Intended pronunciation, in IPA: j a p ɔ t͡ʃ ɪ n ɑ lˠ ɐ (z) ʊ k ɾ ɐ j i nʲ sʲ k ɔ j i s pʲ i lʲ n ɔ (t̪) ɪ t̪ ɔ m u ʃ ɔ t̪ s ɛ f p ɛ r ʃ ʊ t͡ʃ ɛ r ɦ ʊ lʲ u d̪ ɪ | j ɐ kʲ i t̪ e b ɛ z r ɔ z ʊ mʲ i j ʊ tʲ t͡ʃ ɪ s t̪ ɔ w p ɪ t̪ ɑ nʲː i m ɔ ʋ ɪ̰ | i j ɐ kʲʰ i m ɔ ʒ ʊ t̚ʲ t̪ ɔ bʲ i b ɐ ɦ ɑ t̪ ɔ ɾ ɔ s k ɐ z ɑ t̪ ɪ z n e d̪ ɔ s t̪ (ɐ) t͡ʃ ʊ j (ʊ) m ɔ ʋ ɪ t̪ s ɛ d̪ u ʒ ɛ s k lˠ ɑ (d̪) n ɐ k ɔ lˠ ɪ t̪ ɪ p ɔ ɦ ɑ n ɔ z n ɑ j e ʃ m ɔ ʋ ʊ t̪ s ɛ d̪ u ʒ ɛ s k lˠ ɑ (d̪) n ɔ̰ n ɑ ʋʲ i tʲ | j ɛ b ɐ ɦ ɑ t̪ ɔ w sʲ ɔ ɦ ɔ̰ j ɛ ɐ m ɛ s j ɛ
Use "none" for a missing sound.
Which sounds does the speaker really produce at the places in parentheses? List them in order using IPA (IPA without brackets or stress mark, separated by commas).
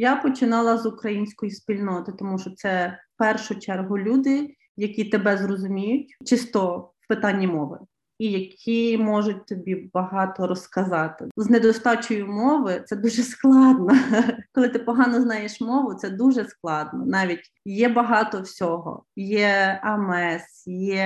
z, t̪, ɑ, ʊ, d̪, d̪